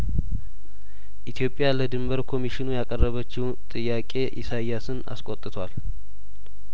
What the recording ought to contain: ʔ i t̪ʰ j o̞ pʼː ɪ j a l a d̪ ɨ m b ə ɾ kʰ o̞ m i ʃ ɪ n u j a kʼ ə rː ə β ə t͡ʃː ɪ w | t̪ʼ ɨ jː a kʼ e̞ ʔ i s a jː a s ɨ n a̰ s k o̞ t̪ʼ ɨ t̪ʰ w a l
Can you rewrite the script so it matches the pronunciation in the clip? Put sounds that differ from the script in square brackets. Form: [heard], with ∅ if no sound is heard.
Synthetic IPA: ʔ i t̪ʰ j o̞ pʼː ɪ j a l [ə] d̪ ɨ m b ə ɾ kʰ o̞ m i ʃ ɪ n u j a kʼ ə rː ə β ə t͡ʃː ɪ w | t̪ʼ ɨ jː a kʼ e̞ ʔ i s a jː a s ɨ n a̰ s [kʼ] o̞ t̪ʼ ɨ t̪ʰ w a l